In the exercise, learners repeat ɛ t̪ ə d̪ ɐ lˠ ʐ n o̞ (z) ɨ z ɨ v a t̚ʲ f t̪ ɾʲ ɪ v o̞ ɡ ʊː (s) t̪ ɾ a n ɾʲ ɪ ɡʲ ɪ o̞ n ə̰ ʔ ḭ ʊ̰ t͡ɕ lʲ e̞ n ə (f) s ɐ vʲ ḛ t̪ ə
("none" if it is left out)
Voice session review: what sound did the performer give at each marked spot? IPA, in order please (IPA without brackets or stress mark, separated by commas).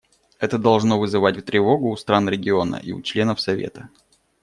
v, s, f